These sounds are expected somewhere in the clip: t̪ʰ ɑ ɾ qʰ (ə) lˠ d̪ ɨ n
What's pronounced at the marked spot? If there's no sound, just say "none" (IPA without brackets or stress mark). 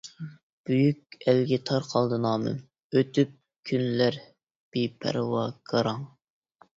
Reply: ɑ